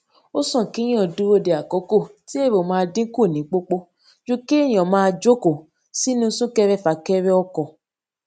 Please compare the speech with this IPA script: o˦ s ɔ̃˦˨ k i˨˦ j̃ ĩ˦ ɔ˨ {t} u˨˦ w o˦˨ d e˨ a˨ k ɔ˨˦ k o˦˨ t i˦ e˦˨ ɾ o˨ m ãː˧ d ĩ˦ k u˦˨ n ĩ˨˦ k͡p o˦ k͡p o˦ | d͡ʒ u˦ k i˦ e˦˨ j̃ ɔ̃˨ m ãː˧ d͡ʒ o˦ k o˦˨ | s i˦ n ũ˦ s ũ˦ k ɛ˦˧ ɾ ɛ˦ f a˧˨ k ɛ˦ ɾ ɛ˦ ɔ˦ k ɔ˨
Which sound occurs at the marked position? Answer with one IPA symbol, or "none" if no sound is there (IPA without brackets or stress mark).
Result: d